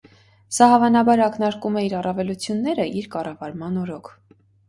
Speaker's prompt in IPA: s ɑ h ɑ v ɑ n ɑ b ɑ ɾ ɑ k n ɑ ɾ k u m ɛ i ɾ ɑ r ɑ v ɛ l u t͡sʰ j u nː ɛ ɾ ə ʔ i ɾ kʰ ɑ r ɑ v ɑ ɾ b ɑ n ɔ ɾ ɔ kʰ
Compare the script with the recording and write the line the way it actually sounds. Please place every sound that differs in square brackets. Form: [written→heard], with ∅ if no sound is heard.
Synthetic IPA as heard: s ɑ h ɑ v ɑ n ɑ b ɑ ɾ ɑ k n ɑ ɾ k u m ɛ i ɾ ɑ r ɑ v ɛ l u t͡sʰ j u nː ɛ ɾ ə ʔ i ɾ [kʰ→k] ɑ r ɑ v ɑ ɾ [b→m] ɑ n ɔ ɾ ɔ kʰ

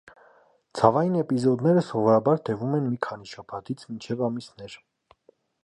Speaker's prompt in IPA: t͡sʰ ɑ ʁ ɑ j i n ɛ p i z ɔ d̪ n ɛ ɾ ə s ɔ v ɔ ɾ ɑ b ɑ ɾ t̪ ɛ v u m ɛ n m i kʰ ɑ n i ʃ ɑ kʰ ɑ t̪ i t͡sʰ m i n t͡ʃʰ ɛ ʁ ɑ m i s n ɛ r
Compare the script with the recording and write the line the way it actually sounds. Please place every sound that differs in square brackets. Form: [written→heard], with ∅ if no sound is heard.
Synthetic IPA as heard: t͡sʰ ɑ [ʁ→v] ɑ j i n ɛ p i z ɔ d̪ n ɛ ɾ ə s ɔ v ɔ ɾ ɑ b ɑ ɾ t̪ ɛ v u m ɛ n m i kʰ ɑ n i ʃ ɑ [kʰ→pʰ] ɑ t̪ i t͡sʰ m i n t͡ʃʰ ɛ [ʁ→v] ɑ m i s n ɛ [r→ɾ]

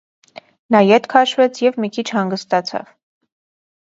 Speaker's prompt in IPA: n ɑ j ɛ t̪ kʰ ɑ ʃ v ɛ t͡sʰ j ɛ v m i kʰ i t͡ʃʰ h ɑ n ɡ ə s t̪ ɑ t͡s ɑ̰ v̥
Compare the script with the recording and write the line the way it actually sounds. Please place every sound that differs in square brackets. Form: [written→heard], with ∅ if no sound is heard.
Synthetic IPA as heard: n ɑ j ɛ t̪ kʰ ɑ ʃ v ɛ t͡sʰ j ɛ v m i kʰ i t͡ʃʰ h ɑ [n→ŋ] ɡ ə s t̪ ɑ [t͡s→t͡sʰ] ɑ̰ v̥

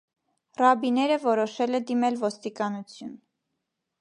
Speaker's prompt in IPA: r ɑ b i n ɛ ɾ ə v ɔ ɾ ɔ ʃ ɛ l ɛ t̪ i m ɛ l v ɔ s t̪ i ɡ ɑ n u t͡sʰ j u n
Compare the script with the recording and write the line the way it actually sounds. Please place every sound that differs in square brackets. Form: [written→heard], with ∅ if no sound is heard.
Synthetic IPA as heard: r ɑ b i n ɛ ɾ ə v ɔ ɾ ɔ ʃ ɛ l ɛ [t̪→d̪] i m ɛ l v ɔ s t̪ i [ɡ→k] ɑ n u t͡sʰ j u n

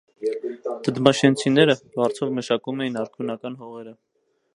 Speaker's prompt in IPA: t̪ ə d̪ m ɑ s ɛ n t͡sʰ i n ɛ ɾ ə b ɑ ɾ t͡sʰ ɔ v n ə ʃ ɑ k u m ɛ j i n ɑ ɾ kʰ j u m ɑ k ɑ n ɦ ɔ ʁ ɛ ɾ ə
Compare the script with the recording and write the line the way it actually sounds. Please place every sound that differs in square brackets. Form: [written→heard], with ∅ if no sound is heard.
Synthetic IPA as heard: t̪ ə d̪ m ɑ [s→ʃ] ɛ n t͡sʰ i n ɛ ɾ ə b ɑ ɾ t͡sʰ ɔ v [n→m] ə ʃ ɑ k u m ɛ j i n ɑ ɾ kʰ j u [m→n] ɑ k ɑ n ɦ ɔ ʁ ɛ ɾ ə

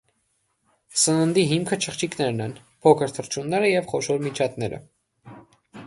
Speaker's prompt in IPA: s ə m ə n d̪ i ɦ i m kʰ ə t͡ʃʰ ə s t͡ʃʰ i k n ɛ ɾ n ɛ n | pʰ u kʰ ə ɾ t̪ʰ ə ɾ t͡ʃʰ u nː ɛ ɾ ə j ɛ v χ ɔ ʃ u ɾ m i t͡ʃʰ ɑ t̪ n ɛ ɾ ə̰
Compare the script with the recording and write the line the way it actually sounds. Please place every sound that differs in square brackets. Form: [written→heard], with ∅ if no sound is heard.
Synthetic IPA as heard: s ə [m→n] ə n d̪ i ɦ i m kʰ ə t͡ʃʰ ə [s→χ] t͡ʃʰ i k n ɛ ɾ n ɛ n | pʰ [u→ɔ] kʰ ə ɾ t̪ʰ ə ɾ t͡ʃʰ u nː ɛ ɾ ə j ɛ v χ ɔ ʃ [u→ɔ] ɾ m i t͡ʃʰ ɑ t̪ n ɛ ɾ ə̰

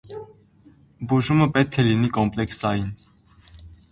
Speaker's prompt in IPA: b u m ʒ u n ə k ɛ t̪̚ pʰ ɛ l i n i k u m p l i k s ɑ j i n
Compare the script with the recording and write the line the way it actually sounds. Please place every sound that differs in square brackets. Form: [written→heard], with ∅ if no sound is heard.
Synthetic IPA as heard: b u [m→∅] ʒ u [n→m] ə [k→p] ɛ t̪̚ [pʰ→kʰ] ɛ l i n i k [u→ɔ] m p l [i→ɛ] k s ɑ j i n

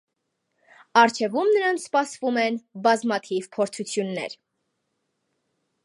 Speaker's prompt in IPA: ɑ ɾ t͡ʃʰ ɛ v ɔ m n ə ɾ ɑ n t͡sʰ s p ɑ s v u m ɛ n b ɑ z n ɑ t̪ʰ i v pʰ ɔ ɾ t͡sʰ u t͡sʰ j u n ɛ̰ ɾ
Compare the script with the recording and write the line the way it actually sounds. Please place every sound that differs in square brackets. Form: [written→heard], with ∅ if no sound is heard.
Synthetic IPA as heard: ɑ ɾ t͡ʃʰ ɛ v [ɔ→u] m n ə ɾ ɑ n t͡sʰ s p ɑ s v u m ɛ n b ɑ z [n→m] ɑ t̪ʰ i v pʰ ɔ ɾ t͡sʰ u t͡sʰ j u [n→nː] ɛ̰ ɾ

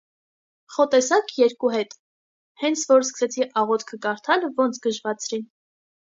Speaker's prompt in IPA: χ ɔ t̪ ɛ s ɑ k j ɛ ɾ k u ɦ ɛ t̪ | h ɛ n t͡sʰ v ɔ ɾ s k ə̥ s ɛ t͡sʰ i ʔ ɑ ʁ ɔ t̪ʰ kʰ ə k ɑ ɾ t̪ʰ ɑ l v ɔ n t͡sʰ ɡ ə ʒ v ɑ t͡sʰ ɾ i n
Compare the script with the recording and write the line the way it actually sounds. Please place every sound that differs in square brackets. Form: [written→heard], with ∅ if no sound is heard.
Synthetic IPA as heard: χ ɔ t̪ ɛ s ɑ k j ɛ ɾ k u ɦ ɛ t̪ | h ɛ n t͡sʰ v ɔ ɾ s k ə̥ s ɛ t͡sʰ i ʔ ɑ ʁ ɔ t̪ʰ kʰ ə k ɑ ɾ t̪ʰ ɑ l v ɔ n t͡sʰ ɡ ə ʒ v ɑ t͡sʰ ɾ i n

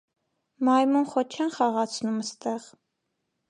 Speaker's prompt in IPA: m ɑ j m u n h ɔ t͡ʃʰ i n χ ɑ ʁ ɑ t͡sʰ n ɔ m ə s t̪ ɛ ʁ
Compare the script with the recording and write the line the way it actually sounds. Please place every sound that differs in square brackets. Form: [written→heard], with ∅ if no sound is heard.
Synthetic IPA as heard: m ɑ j m u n [h→χ] ɔ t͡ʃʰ [i→ɛ] n χ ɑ ʁ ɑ t͡sʰ n [ɔ→u] m ə s t̪ ɛ ʁ

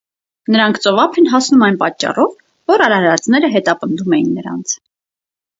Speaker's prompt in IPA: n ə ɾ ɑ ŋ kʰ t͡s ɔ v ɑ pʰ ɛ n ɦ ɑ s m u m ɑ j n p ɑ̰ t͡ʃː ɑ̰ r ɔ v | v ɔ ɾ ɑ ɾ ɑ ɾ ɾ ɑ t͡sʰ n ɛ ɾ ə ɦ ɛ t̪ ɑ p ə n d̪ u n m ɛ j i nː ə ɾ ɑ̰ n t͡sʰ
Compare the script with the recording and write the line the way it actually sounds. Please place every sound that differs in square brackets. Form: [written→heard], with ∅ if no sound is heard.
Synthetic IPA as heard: n ə ɾ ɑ ŋ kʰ t͡s ɔ v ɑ pʰ ɛ n ɦ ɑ s [m→n] u m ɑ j n p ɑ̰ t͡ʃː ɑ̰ r ɔ v | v ɔ ɾ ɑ ɾ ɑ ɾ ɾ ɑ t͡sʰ n ɛ ɾ ə ɦ ɛ t̪ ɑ p ə n d̪ u [n→∅] m ɛ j i nː ə ɾ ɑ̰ n t͡sʰ

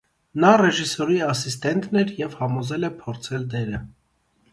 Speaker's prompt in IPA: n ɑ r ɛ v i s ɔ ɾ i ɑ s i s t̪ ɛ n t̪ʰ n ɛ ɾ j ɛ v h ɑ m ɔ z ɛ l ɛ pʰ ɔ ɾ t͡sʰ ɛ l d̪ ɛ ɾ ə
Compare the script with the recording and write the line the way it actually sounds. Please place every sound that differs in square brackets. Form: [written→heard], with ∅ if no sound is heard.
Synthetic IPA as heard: n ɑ r ɛ [v→ʒ] i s ɔ ɾ i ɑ s i s t̪ ɛ n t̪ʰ n ɛ ɾ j ɛ v h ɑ m ɔ z ɛ l ɛ pʰ ɔ ɾ t͡sʰ ɛ l d̪ ɛ ɾ ə

